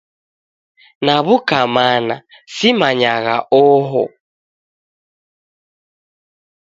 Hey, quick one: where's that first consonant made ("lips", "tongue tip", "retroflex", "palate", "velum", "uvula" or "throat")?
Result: tongue tip